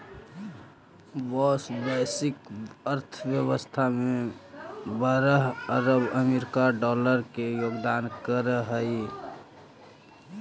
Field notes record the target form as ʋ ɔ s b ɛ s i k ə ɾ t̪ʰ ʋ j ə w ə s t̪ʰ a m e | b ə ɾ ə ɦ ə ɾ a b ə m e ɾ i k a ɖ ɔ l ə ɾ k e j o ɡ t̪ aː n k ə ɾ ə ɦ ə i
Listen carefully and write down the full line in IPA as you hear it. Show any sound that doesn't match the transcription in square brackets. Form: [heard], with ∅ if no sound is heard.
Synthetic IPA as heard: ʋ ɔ s b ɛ s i k ə ɾ t̪ʰ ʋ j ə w ə s t̪ʰ a m e | b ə ɾ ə ɦ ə ɾ [ə] b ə m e ɾ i k a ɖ ɔ l ə ɾ k e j o ɡ [d̪] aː n k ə ɾ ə ɦ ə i